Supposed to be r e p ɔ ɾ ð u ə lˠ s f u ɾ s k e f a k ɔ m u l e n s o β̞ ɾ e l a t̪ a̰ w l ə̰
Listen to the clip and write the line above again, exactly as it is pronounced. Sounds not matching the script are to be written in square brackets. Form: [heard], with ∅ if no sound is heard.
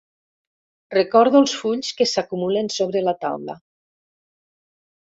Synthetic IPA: r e [k] ɔ ɾ ð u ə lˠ s f u [ʎ] s k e [s] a k [u] m u l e n s o β̞ ɾ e l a t̪ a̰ w l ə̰